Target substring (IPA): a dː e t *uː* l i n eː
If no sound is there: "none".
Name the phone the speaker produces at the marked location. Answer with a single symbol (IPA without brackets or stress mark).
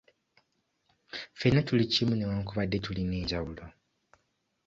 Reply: u